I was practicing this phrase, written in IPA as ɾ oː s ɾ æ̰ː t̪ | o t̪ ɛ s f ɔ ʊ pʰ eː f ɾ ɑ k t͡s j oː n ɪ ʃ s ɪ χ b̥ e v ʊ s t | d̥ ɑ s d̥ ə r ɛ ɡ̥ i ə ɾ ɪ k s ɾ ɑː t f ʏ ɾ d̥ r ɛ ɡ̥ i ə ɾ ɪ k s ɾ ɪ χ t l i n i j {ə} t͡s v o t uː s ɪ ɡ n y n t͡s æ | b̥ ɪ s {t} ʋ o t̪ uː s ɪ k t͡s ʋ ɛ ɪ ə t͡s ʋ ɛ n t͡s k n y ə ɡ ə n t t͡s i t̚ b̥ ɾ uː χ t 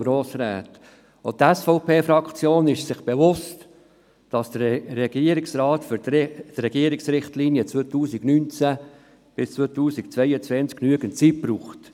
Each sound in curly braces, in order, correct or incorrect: correct, incorrect: t͡s

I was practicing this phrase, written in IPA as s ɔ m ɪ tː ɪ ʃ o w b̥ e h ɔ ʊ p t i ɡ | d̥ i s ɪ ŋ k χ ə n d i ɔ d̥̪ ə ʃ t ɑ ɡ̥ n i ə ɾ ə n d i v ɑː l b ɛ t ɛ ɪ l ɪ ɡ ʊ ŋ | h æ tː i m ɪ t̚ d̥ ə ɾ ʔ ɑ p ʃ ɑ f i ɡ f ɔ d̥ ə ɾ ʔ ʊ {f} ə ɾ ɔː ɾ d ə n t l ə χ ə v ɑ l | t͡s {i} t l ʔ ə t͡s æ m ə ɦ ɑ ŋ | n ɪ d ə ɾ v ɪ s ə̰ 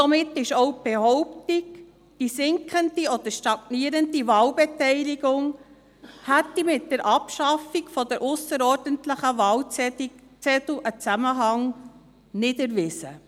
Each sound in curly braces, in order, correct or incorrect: incorrect: s, incorrect: ɛ

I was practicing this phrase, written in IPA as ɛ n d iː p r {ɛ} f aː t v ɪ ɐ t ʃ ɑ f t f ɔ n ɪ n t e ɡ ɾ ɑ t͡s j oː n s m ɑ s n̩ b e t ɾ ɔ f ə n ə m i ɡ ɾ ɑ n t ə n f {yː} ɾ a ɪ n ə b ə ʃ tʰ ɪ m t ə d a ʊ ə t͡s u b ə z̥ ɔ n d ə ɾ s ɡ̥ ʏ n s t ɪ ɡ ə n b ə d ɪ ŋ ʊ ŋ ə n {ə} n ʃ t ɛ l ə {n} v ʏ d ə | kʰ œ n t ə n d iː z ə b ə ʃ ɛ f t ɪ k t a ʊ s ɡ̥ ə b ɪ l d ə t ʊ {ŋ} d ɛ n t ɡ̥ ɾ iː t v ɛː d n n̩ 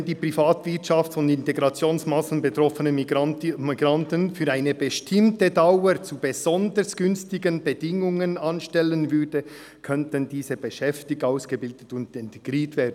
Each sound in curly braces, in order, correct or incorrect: incorrect: i, correct, incorrect: ɑ, correct, incorrect: n

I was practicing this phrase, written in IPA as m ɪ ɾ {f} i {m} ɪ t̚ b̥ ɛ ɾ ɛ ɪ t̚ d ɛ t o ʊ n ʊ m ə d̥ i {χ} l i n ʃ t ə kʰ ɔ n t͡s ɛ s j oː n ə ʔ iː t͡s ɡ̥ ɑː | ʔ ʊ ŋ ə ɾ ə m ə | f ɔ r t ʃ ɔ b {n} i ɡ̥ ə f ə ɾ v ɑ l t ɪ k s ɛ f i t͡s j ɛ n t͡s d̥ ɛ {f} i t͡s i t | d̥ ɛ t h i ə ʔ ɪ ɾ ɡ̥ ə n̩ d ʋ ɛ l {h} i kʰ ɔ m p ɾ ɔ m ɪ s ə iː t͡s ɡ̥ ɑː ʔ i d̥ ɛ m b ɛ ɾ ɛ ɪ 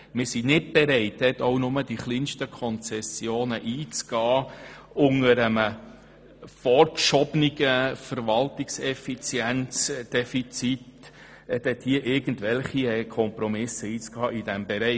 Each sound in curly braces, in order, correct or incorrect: incorrect: s, incorrect: n, correct, correct, correct, incorrect: χ

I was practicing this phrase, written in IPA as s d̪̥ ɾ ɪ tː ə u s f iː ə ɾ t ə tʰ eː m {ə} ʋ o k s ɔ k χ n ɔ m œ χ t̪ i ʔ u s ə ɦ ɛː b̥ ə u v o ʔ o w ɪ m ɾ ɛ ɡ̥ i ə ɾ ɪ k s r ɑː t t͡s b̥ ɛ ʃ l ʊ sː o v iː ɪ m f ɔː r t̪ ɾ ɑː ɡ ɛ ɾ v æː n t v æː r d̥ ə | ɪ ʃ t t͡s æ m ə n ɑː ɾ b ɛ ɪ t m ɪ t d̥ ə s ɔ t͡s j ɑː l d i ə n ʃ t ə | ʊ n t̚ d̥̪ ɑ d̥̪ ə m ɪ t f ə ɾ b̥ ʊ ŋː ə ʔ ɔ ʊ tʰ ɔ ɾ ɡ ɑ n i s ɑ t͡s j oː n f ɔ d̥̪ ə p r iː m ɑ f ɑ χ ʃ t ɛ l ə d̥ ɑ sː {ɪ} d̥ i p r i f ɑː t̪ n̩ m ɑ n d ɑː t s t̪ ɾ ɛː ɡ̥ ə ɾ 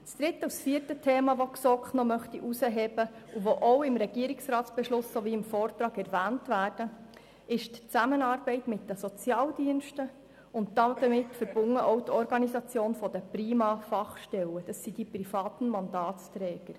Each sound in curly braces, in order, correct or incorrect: incorrect: ɑ, incorrect: i

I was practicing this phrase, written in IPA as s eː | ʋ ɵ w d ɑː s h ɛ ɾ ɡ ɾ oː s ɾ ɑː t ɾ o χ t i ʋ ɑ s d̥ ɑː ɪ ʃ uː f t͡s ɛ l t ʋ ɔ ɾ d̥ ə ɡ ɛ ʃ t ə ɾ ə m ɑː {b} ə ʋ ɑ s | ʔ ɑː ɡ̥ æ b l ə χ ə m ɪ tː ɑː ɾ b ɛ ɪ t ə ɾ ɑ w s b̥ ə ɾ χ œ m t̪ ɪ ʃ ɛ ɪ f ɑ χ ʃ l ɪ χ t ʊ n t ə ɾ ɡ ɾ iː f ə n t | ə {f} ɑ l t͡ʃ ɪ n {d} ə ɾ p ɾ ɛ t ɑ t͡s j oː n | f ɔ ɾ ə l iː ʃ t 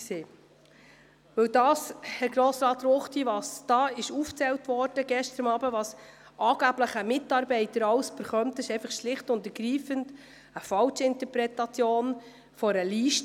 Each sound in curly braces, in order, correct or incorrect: correct, correct, incorrect: t

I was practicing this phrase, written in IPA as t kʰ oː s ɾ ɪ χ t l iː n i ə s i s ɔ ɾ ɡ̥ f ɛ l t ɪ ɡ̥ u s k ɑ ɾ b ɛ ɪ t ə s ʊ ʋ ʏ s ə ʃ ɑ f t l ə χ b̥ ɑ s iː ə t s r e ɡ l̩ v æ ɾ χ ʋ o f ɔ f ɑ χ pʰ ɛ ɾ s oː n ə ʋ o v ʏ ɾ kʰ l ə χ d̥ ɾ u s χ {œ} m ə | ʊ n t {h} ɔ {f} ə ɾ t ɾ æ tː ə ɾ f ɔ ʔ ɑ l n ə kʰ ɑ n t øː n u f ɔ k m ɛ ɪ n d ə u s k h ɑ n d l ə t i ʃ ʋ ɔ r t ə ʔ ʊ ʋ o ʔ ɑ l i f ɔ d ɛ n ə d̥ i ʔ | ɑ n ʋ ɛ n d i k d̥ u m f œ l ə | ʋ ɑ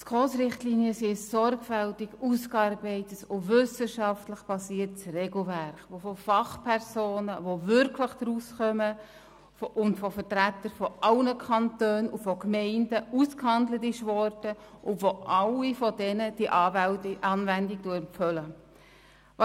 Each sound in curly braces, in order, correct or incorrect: correct, incorrect: f, correct

